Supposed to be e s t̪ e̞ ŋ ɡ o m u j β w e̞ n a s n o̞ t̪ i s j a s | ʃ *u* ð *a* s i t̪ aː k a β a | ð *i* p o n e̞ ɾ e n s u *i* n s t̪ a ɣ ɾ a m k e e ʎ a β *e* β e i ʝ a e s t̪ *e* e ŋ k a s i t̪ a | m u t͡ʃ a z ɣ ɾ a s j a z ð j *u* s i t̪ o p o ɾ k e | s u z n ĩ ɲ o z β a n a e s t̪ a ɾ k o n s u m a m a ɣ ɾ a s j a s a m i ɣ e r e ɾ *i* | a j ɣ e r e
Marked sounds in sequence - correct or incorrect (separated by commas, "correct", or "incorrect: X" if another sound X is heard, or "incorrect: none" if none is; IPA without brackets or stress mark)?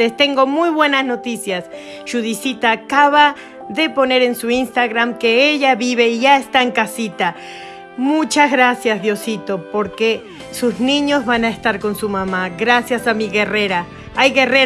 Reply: correct, incorrect: i, incorrect: e, correct, incorrect: i, incorrect: a, incorrect: o, incorrect: a